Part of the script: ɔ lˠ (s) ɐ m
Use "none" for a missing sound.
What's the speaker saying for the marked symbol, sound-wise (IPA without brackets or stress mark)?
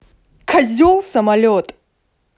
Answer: s